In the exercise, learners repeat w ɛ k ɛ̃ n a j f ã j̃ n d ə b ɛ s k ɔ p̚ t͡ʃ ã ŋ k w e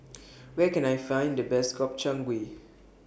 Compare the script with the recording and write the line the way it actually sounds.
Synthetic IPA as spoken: w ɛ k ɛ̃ n a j f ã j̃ n d ə b ɛ s k ɔ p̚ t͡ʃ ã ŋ ɡ w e